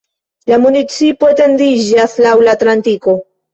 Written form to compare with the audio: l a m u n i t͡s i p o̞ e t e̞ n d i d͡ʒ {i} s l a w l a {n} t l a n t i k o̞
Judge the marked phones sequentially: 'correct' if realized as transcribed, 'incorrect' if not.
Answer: incorrect: a, incorrect: none

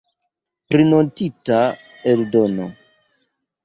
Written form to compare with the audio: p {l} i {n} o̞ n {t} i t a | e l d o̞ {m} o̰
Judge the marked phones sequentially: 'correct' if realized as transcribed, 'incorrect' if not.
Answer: incorrect: ɾ, correct, correct, incorrect: n

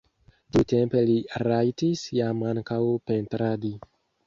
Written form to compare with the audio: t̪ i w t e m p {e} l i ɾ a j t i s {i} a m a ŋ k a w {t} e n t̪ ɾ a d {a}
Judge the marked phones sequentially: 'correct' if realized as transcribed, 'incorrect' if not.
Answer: correct, incorrect: j, incorrect: p, incorrect: i

